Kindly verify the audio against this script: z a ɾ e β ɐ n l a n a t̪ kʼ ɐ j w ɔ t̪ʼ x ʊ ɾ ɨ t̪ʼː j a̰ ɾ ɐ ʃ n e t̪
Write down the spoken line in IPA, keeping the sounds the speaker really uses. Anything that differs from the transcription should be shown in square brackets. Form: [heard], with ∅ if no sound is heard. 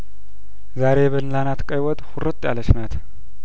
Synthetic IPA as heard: z a ɾ e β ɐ n l a n a t̪ kʼ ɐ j w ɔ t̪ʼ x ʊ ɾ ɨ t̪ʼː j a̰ [l] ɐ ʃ n [a] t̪

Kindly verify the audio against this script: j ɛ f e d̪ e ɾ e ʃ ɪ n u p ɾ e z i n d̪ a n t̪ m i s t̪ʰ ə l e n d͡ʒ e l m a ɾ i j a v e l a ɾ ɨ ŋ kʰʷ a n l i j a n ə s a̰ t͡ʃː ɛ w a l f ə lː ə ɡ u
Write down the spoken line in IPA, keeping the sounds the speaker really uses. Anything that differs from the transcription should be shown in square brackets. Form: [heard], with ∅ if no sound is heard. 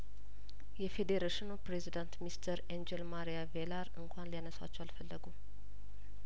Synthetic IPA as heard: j ɛ f e d̪ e ɾ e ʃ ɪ n u p ɾ e z i [∅] d̪ a n t̪ m i s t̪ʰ ə [ɾ] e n d͡ʒ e l m a ɾ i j a v e l a ɾ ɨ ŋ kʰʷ a n l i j a n ə s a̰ t͡ʃː ɛ w a l f ə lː ə ɡ u

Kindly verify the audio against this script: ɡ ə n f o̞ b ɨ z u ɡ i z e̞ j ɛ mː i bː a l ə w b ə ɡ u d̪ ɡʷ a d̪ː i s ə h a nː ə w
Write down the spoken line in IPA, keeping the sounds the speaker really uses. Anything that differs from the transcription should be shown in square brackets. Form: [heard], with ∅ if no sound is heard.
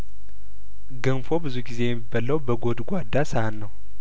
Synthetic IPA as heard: ɡ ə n f o̞ b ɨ z u ɡ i z e̞ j ɛ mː i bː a l ə w b ə ɡ [o] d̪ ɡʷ a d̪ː [a] s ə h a nː ə w

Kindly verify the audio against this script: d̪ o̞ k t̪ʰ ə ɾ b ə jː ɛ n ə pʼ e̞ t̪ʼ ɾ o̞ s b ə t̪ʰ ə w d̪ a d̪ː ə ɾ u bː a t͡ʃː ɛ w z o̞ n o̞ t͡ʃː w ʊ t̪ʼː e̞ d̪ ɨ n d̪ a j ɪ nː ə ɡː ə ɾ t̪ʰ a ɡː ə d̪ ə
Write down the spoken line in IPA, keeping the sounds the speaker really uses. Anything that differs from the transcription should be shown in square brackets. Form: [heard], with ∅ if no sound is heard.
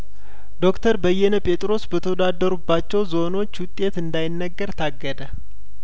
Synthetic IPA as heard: d̪ o̞ k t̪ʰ ə ɾ b ə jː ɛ n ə pʼ e̞ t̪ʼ ɾ o̞ s b ə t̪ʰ ə w d̪ a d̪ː ə ɾ u bː a t͡ʃː ɛ w z o̞ n o̞ t͡ʃː w ʊ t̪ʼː e̞ [t̪] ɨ n d̪ a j ɪ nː ə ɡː ə ɾ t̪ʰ a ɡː ə d̪ ə

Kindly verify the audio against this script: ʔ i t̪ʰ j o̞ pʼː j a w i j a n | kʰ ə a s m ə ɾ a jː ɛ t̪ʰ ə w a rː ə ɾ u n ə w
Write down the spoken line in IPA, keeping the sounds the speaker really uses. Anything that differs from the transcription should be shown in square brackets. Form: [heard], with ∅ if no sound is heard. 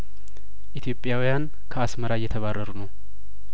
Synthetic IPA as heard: ʔ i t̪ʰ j o̞ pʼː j a w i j a n | kʰ ə a s m ə ɾ a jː ɛ t̪ʰ ə [β] a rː ə ɾ u n ə w

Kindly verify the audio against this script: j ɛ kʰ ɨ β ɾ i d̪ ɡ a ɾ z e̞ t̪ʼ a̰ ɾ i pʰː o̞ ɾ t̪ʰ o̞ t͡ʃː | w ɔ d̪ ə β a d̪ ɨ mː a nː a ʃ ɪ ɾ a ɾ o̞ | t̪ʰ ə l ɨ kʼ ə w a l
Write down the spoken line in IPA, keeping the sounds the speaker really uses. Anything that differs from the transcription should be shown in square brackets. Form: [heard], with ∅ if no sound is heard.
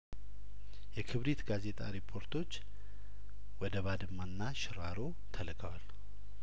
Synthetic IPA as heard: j ɛ kʰ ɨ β ɾ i [t̪] ɡ a [∅] z e̞ t̪ʼ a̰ ɾ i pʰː o̞ ɾ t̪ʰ o̞ t͡ʃː | w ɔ d̪ ə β a d̪ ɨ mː a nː a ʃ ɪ ɾ a ɾ o̞ | t̪ʰ ə l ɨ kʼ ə w a l

